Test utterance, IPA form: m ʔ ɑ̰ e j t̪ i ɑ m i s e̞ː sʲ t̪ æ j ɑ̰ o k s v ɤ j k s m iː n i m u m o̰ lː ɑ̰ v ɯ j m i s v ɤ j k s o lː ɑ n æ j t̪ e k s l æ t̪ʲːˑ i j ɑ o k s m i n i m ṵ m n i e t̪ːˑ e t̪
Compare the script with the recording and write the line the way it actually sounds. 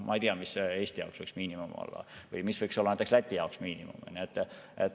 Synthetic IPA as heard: m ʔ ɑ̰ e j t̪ i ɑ m i s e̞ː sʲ t̪ i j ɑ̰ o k s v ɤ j k s m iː n i m u m o̰ lː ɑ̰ v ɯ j m i s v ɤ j k s o lː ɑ n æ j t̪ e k s l æ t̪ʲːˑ i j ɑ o k s m iː n i m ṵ m n i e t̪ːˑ e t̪